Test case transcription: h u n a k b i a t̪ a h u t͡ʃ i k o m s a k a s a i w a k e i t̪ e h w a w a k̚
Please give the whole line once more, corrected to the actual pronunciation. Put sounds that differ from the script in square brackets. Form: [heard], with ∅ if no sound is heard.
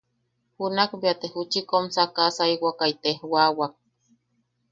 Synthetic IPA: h u n a k b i a t̪ [e] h u t͡ʃ i k o m s a k a s a i w a k [a] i t̪ e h w a w a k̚

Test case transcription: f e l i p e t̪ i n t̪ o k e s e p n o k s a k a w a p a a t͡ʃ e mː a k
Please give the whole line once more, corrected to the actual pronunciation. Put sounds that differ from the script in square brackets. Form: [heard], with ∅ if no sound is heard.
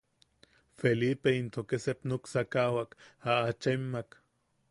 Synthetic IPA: f e l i p e [∅] i n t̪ o k e s e p n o k s a k a w a [k] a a t͡ʃ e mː a k

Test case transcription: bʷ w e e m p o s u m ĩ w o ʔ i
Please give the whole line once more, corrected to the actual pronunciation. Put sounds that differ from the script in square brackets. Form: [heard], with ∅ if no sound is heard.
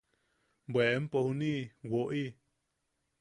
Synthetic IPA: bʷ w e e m p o [h] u [n] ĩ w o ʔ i

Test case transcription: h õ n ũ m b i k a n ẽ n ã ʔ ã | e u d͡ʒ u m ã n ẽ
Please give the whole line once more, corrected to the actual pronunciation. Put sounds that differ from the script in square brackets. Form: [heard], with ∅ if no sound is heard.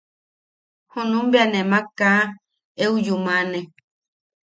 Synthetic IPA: h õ n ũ m b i [∅] a n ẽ [m] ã [k] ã | e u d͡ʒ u m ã n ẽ

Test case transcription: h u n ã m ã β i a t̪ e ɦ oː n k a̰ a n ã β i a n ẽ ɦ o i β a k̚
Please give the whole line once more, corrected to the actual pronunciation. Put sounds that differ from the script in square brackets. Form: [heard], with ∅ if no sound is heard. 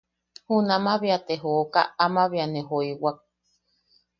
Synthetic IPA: h u n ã m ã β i a t̪ e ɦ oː [∅] k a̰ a [m] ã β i a n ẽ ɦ o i [w] a k̚

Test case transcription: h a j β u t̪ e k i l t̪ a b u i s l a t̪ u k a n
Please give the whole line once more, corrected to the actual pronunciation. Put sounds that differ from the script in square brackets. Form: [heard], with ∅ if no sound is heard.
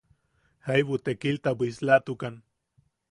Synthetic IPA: h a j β u t̪ e k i l t̪ a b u i s l a t̪ u k a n

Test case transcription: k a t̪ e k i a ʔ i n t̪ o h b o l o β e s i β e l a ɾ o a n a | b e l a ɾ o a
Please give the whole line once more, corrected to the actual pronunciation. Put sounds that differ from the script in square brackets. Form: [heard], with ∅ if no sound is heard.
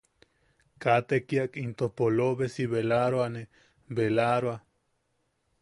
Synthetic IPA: k a t̪ e k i a [k] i n t̪ o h [p] o l o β e s i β e l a ɾ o a n [e] | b e l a ɾ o a

